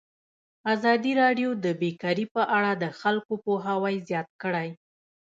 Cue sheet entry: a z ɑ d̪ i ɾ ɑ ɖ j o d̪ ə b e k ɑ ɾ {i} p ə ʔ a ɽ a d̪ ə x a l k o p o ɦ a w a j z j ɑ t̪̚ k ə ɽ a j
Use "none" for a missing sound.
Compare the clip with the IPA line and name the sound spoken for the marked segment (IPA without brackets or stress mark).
i